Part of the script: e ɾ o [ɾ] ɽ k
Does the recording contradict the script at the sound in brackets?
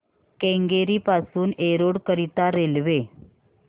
yes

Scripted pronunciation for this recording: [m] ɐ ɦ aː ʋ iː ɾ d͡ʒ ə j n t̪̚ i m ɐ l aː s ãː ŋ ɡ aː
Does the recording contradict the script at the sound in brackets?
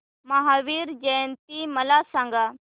no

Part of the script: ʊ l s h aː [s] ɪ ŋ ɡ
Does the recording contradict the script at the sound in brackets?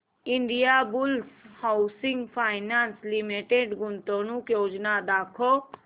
no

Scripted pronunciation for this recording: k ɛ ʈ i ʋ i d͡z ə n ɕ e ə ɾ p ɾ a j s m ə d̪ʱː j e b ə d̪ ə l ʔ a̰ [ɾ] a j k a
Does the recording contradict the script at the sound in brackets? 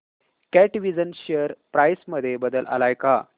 yes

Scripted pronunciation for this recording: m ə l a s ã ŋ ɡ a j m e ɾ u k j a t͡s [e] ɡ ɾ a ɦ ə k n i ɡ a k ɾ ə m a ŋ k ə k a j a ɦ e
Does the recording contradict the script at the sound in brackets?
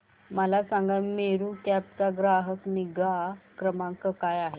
yes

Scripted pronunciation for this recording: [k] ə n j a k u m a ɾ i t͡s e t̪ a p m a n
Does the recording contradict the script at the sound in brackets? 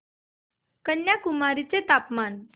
no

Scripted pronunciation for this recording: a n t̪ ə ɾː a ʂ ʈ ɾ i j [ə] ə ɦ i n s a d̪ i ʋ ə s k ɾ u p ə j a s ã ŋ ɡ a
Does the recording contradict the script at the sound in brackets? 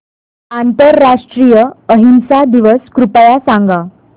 no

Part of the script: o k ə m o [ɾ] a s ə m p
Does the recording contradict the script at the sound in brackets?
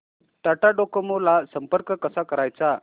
yes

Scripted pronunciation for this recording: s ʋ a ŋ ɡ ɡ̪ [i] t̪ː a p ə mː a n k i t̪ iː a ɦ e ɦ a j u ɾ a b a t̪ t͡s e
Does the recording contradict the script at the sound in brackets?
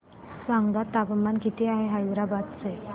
yes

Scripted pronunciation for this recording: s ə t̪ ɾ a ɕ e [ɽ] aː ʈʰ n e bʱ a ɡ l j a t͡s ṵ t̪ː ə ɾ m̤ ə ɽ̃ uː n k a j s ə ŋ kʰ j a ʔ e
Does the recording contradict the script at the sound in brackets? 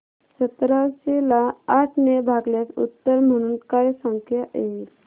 yes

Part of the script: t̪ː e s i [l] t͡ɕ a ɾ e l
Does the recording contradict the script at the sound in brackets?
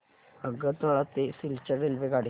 no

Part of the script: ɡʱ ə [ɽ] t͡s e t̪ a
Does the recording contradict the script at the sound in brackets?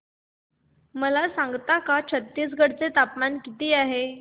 no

